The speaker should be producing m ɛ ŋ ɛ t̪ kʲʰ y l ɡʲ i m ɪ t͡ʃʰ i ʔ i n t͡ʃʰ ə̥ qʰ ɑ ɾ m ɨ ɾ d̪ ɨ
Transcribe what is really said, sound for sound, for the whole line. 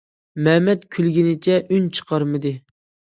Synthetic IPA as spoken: m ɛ m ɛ t̪ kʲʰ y l ɡʲ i n ɪ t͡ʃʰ ɛ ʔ y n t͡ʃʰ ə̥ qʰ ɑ ɾ m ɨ d̪ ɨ